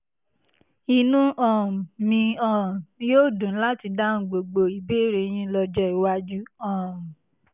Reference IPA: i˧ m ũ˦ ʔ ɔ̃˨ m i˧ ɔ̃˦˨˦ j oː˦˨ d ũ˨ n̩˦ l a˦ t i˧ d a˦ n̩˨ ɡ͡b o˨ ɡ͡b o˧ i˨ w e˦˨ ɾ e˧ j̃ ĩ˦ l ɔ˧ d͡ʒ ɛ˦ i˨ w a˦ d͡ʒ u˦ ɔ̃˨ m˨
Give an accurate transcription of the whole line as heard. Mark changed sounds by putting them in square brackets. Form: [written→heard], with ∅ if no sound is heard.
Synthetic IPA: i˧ [m→n] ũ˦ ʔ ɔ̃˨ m [i˧→ĩ˧] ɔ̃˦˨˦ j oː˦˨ d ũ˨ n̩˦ l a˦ t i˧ d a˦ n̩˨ ɡ͡b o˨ ɡ͡b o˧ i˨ [w→b] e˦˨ ɾ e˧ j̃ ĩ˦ l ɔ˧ d͡ʒ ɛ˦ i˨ w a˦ d͡ʒ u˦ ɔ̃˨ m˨